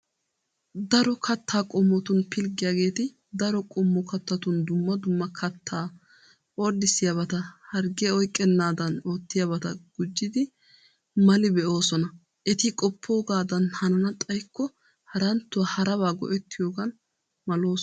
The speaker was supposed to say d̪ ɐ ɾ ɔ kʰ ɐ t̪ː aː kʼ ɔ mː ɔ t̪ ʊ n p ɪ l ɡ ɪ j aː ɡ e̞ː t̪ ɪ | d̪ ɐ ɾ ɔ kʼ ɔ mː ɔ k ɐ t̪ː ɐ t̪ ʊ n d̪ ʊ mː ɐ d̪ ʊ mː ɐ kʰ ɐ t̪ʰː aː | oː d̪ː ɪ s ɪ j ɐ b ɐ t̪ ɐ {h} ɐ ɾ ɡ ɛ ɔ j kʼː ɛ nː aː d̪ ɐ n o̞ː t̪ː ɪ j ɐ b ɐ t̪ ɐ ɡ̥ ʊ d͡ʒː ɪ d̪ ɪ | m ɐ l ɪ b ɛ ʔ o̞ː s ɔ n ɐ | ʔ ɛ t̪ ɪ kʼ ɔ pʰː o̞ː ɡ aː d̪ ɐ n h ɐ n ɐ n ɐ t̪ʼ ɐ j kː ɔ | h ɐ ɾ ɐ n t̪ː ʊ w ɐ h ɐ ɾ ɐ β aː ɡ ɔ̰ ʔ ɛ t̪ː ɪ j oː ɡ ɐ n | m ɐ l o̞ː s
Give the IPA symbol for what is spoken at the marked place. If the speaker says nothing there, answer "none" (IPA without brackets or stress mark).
h